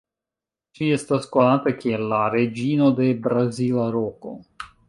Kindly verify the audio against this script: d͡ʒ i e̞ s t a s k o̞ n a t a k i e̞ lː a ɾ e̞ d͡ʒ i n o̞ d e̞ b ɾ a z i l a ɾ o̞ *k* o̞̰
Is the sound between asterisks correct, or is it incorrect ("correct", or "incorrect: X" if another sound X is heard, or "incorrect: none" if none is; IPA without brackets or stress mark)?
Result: correct